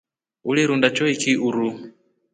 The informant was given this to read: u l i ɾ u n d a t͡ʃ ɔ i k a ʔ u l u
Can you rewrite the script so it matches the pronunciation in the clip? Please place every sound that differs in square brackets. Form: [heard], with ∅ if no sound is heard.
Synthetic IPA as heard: u l i ɾ u n d a t͡ʃ ɔ i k [i] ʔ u [ɾ] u